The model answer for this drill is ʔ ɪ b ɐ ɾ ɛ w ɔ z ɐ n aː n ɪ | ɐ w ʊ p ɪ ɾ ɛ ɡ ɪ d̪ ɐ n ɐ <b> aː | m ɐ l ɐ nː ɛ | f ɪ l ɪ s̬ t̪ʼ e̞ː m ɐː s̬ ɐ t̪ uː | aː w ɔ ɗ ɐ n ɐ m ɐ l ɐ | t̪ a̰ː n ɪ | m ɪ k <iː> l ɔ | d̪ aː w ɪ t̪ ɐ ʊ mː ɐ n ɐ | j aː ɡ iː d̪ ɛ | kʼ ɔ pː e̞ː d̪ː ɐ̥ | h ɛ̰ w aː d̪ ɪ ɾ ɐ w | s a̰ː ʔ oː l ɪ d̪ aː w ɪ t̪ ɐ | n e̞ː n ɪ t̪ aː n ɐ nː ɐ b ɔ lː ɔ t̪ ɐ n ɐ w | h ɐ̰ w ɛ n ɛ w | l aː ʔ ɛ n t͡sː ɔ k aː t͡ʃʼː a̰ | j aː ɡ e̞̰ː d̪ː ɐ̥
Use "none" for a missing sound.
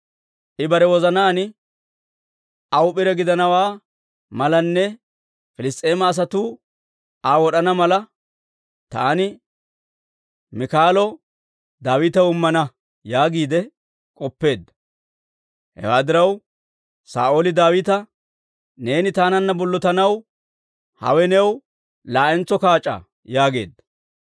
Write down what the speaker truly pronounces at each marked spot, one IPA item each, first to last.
w, aː

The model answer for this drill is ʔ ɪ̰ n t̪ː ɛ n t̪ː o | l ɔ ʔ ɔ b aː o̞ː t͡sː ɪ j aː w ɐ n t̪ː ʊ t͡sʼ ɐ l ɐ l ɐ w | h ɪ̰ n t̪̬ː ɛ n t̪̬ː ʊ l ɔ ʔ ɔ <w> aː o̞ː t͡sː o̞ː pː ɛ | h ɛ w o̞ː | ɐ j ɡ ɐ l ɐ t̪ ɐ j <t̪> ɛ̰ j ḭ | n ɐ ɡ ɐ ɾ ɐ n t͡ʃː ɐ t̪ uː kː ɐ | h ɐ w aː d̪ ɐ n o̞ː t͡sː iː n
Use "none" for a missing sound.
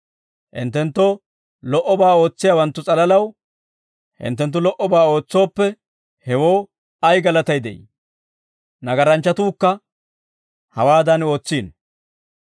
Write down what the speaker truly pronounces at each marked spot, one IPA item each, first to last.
b, d̪

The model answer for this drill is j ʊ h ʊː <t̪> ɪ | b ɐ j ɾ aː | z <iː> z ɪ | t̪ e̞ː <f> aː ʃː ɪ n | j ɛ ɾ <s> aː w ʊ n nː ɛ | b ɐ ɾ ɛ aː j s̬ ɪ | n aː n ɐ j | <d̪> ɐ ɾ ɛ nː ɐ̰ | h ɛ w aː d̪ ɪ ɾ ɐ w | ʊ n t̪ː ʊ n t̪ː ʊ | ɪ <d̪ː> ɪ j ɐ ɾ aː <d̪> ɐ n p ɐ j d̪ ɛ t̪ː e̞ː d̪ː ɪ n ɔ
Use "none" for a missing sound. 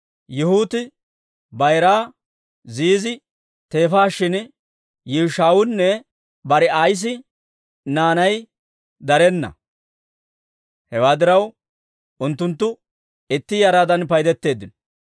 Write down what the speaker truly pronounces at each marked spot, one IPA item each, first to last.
t̪, iː, f, ʃ, d̪, t̪ː, d̪

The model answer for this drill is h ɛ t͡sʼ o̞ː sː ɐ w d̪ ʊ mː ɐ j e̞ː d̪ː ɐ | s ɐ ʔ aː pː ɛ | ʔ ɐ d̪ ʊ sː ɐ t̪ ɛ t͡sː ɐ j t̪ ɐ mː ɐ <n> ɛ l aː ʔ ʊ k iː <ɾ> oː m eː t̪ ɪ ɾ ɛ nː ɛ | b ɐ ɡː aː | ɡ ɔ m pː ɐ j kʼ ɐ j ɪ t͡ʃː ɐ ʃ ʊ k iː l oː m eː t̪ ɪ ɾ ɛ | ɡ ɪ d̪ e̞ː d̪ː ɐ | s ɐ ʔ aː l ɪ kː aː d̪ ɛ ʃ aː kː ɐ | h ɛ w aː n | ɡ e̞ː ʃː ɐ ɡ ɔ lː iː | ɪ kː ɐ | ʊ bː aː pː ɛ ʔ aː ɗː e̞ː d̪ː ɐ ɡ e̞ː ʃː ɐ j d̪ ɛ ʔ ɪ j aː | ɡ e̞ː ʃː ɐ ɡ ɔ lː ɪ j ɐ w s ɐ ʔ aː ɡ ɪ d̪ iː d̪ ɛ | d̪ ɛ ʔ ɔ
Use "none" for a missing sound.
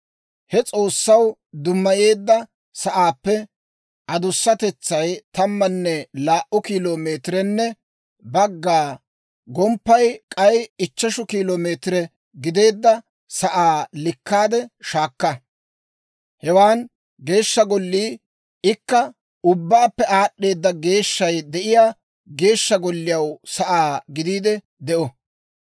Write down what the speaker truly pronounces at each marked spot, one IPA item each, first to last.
nː, l

